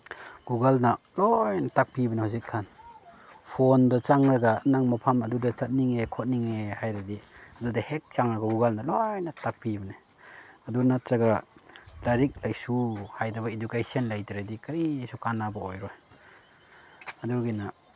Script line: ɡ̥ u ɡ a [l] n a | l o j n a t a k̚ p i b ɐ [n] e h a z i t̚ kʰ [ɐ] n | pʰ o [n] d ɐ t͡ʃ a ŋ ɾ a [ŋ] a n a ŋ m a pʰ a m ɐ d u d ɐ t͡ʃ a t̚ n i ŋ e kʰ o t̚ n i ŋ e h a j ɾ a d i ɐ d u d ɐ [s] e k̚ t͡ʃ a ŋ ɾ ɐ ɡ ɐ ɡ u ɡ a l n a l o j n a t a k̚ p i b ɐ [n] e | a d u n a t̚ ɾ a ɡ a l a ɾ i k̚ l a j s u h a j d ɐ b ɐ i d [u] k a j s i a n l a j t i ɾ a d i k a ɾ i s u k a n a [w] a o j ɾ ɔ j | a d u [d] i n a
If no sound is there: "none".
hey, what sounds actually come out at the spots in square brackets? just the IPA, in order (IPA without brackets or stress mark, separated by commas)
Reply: l, n, a, n, ɡ, h, n, u, b, ɡ